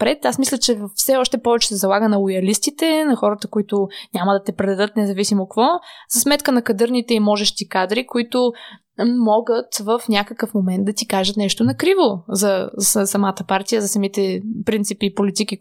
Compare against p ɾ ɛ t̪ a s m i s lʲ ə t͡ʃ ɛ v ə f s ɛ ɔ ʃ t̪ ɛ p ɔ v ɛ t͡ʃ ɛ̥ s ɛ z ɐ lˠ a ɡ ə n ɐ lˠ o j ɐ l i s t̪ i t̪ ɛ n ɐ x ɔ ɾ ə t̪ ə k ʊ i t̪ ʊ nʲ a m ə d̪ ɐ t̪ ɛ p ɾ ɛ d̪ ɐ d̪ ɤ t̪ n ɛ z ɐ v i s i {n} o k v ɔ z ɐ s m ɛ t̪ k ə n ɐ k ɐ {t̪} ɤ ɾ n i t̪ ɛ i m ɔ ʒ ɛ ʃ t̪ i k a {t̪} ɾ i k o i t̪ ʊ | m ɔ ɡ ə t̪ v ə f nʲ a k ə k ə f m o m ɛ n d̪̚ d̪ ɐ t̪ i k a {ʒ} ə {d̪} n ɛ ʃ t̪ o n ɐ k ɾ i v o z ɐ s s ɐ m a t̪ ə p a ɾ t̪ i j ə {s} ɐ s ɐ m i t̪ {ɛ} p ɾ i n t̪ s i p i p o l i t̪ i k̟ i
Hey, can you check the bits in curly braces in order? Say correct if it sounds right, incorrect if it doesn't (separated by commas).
incorrect, incorrect, incorrect, correct, incorrect, incorrect, correct